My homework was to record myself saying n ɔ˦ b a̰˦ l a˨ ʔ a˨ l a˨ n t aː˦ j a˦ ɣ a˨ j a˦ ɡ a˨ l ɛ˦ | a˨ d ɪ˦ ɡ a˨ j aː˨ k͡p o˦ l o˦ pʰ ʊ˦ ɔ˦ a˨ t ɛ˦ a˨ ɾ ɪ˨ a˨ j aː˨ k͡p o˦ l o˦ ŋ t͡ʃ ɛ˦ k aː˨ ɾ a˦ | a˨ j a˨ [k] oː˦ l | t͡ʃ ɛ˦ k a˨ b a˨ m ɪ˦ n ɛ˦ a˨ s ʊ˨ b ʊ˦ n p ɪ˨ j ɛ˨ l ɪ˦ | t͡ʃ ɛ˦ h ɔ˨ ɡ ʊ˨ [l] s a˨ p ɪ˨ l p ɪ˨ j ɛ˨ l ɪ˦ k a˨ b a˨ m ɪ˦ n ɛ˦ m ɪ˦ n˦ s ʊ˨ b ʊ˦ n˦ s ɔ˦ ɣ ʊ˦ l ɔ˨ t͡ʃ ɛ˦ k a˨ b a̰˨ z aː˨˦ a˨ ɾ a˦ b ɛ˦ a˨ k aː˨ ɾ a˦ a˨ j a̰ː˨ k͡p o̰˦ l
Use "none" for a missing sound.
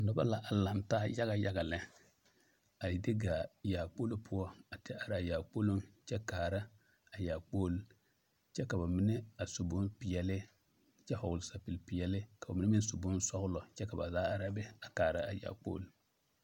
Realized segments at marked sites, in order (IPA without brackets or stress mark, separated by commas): k͡p, l